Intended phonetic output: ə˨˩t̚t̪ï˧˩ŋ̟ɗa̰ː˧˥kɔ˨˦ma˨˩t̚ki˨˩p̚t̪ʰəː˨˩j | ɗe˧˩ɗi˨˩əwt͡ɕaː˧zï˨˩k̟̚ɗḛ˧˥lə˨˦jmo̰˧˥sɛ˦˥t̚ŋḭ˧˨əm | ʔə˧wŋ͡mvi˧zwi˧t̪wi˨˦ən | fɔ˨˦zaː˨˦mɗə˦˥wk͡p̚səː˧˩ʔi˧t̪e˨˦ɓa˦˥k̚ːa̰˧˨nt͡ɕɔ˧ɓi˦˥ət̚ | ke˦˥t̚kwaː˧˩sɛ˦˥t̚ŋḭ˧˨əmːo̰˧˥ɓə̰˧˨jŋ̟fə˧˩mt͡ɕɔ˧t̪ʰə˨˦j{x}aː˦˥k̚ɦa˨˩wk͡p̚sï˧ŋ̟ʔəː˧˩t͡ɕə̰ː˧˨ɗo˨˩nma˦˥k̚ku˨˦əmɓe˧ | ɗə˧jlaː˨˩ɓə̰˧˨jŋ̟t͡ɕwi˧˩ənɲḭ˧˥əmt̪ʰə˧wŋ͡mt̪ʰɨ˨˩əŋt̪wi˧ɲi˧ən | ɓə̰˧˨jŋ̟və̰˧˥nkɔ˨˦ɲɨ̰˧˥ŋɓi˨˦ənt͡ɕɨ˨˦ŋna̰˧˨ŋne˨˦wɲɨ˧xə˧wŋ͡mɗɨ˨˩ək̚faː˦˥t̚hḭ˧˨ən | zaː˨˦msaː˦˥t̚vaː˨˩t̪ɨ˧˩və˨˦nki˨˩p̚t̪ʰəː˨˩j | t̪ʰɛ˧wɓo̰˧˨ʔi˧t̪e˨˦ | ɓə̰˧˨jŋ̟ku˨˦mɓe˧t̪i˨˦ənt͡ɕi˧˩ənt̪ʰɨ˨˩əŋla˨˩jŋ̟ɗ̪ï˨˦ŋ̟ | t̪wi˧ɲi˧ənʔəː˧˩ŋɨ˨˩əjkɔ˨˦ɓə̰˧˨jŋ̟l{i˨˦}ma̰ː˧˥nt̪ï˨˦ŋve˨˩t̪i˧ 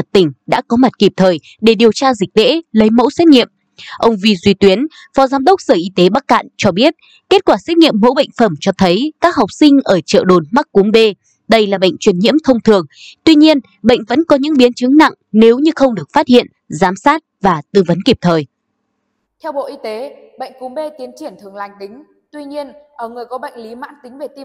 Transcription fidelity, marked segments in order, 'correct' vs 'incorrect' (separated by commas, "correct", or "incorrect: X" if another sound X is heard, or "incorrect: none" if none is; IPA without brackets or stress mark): incorrect: k, correct